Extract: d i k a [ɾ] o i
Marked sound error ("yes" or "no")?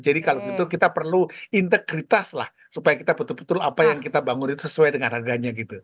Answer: yes